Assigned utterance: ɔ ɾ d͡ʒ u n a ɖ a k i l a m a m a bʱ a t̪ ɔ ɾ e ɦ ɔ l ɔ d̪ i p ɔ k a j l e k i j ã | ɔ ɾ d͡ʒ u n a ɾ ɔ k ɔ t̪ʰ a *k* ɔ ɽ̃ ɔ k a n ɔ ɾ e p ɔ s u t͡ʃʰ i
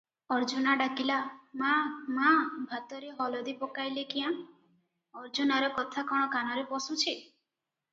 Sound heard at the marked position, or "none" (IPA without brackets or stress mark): k